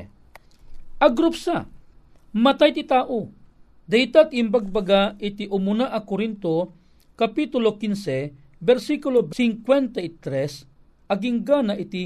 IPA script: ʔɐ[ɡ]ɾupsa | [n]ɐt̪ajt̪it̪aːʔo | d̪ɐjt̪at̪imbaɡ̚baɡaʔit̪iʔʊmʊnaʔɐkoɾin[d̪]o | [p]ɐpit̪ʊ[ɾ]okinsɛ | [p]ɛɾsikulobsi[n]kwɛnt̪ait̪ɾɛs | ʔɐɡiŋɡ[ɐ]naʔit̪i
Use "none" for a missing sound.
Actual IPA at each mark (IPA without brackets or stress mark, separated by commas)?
ɡ, m, t̪, k, l, b, ŋ, a